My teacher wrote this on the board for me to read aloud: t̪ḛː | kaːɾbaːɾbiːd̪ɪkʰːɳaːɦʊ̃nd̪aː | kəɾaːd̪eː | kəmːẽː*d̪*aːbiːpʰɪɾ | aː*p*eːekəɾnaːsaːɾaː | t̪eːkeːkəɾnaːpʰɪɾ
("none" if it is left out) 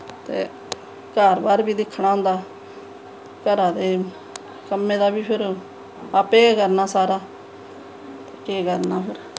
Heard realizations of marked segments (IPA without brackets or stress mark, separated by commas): d̪, p